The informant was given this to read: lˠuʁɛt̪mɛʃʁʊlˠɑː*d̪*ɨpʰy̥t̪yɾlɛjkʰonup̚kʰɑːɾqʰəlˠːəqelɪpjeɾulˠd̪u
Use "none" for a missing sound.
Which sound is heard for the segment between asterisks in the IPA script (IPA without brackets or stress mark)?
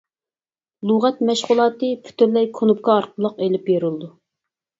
t̪